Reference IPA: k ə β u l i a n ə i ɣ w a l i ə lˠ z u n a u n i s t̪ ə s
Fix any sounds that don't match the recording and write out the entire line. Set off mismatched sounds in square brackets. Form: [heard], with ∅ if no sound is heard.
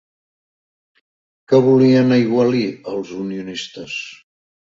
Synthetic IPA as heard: k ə β u l i [ə] n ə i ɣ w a l i ə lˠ z u n [i] u n i s t̪ ə s

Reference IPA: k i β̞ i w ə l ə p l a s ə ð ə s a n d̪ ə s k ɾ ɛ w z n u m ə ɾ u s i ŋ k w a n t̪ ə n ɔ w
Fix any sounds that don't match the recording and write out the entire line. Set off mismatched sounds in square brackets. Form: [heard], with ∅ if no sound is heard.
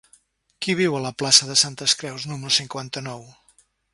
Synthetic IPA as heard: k i β̞ i w ə l ə p l a s ə ð ə s a n [t̪] ə s k ɾ ɛ w z n u m ə ɾ u s i ŋ k w a n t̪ ə n ɔ w

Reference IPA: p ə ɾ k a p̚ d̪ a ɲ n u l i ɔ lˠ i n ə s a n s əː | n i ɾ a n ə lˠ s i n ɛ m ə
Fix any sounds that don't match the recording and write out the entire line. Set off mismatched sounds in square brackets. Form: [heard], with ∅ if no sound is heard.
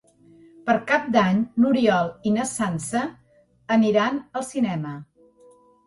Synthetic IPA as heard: p ə ɾ k a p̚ d̪ a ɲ n u [ɾ] i ɔ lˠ i n ə s a n s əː | n i ɾ a n ə lˠ s i n ɛ m ə

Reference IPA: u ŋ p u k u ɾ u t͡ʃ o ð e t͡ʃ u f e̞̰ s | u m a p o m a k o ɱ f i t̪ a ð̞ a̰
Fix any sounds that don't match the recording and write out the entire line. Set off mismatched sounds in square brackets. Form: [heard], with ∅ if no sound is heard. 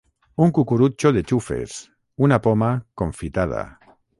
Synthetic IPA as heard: u ŋ [k] u k u ɾ u t͡ʃ o ð e t͡ʃ u f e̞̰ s | u [n] a p o m a k o ɱ f i t̪ a ð̞ a̰

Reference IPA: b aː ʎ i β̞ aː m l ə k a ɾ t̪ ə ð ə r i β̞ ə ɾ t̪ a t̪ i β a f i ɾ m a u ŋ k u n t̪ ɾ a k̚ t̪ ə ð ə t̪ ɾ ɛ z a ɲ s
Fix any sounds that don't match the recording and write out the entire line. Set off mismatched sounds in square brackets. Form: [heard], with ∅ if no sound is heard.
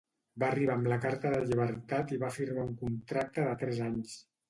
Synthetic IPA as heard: b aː [r] i β̞ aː m l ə k a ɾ t̪ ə ð ə [ʎ] i β̞ ə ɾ t̪ a t̪ i β a f i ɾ m a u ŋ k u n t̪ ɾ a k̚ t̪ ə ð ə t̪ ɾ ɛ z a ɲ s

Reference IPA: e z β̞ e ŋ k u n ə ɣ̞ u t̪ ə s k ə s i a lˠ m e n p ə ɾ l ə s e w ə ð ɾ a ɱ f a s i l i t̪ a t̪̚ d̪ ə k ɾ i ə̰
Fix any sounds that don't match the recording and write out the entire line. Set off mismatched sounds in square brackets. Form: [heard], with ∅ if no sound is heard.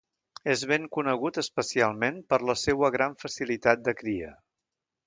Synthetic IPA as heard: e z β̞ e ŋ k u n ə ɣ̞ u t̪ ə s [p] ə s i a lˠ m e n p ə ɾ l ə s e w ə [ɣ] ɾ a ɱ f [ə] s i l i t̪ a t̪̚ d̪ ə k ɾ i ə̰

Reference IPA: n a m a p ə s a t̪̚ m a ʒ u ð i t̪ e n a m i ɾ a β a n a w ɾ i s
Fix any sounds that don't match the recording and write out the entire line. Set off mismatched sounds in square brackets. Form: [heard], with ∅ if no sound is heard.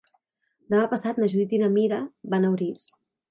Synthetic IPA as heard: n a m a p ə s a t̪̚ [n] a ʒ u ð i t̪ [i] n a m i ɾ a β a n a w ɾ i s

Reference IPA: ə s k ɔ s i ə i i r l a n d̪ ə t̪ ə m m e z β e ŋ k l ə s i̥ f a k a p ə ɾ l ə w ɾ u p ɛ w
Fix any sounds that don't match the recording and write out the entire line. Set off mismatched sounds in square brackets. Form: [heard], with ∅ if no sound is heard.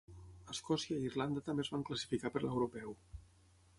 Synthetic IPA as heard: ə s k ɔ s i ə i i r l a n d̪ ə t̪ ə m [b] e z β [a] ŋ k l ə s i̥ f [i] k a p ə ɾ l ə w ɾ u p ɛ w

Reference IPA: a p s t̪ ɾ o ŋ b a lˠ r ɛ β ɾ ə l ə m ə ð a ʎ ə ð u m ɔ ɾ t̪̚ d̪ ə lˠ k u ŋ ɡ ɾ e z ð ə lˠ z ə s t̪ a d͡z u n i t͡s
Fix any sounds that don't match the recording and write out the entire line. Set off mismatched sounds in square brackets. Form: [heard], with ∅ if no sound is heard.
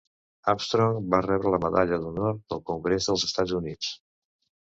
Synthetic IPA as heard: a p s t̪ ɾ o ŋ b a [∅] r ɛ β ɾ ə l ə m ə ð a ʎ ə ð u [n] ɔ ɾ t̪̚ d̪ ə lˠ k u ŋ ɡ ɾ e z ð ə lˠ z ə s t̪ a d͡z u n i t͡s

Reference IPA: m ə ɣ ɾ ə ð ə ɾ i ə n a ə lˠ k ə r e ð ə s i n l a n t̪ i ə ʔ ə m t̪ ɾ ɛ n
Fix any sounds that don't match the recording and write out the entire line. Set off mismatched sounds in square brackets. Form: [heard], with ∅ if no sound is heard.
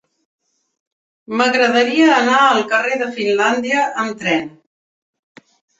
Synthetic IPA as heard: m ə ɣ ɾ ə ð ə ɾ i [əː] n a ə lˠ k ə r e ð ə [f] i n l a n [d̪] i ə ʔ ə m t̪ ɾ ɛ n

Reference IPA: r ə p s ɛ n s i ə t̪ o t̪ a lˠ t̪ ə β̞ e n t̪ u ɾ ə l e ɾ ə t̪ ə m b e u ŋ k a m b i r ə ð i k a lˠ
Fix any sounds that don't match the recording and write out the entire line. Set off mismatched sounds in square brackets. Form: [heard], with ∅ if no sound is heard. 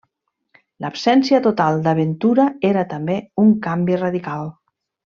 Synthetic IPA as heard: [l] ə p s ɛ n s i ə t̪ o t̪ a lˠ [d̪] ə β̞ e n t̪ u ɾ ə [∅] e ɾ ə t̪ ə m b e u ŋ k a m b i r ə ð i k a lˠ

